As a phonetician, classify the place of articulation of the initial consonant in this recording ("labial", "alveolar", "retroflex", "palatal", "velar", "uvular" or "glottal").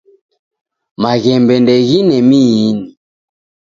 labial